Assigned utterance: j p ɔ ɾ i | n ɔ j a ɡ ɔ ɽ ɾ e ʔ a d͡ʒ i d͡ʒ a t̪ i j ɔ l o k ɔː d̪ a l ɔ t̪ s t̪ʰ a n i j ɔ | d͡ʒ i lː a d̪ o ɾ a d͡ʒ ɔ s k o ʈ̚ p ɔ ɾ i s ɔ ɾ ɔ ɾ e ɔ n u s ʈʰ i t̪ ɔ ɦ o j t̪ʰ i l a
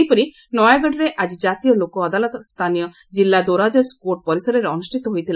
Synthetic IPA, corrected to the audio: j p ɔ ɾ i | n ɔ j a ɡ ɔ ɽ ɾ e ʔ a d͡ʒ i d͡ʒ a t̪ i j ɔ l o k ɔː d̪ a l ɔ t̪ s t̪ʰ a n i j ɔ | d͡ʒ i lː a d̪ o ɾ a d͡ʒ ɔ s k o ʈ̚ p ɔ ɾ i s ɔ ɾ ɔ ɾ e ɔ n u s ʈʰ i t̪ ɔ ɦ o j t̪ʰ i l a